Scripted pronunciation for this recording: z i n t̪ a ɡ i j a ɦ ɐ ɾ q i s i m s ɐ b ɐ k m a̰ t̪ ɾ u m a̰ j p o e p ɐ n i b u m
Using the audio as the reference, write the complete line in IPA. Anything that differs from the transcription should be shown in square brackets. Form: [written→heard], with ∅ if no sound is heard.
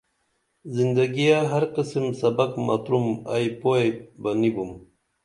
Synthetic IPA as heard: z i n [t̪→d̪] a ɡ i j a ɦ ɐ ɾ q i s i m s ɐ b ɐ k m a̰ t̪ ɾ u m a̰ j p o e [p→b] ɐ n i b u m